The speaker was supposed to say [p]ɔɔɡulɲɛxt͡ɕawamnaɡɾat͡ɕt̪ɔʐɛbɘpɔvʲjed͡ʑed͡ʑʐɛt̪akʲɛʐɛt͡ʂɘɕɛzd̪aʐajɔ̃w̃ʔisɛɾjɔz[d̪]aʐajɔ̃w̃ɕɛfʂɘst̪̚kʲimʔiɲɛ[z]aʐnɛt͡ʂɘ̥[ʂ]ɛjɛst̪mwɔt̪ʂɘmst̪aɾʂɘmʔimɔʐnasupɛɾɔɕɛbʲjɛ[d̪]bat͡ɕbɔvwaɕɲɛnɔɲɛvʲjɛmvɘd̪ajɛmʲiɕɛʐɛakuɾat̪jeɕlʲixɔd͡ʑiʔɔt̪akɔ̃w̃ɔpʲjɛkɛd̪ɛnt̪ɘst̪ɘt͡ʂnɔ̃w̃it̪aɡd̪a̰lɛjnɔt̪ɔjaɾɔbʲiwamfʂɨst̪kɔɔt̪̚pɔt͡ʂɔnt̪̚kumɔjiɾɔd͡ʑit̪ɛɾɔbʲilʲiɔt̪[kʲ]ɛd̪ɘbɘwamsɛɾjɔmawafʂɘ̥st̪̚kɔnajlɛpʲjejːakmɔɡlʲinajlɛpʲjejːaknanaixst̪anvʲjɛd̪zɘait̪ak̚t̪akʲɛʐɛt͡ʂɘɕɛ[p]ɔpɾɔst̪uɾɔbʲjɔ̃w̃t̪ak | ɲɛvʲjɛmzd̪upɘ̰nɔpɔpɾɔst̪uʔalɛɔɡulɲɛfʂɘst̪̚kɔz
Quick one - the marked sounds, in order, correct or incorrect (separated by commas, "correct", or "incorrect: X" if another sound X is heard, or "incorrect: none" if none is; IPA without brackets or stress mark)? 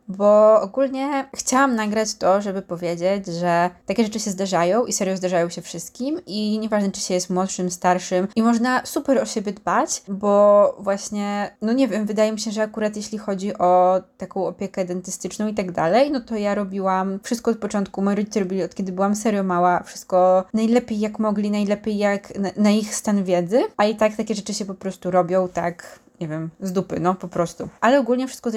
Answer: incorrect: b, correct, incorrect: v, incorrect: ɕ, correct, correct, correct